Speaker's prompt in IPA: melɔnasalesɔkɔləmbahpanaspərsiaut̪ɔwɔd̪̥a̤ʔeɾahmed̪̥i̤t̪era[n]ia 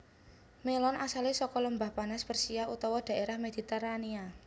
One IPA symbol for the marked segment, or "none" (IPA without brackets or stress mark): n